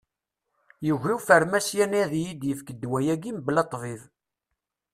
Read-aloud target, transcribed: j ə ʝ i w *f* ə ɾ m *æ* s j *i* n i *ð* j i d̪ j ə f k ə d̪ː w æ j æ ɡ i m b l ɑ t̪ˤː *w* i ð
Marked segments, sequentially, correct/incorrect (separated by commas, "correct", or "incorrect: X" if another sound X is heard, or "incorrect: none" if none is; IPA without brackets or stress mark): correct, correct, incorrect: æ, correct, incorrect: v